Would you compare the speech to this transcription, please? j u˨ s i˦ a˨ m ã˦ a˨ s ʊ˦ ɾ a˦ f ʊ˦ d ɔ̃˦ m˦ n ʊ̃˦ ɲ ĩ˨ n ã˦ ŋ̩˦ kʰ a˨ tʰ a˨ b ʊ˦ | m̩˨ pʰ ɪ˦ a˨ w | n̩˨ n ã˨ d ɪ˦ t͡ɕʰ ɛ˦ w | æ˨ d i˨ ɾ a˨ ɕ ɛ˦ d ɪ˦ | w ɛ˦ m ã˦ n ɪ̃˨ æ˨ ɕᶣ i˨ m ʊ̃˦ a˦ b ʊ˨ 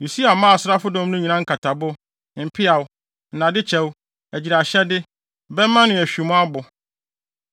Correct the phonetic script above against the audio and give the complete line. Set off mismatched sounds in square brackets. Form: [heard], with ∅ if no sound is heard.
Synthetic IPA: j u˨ s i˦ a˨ m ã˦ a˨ s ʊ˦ ɾ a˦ f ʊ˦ d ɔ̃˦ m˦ n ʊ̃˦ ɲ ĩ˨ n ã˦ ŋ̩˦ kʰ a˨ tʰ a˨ b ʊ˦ | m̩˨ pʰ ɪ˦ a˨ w | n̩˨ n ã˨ d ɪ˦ t͡ɕʰ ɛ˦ w | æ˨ [d͡ʑ] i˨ ɾ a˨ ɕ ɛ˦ d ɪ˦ | [b] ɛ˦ m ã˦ n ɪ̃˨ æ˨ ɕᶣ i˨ m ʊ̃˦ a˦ b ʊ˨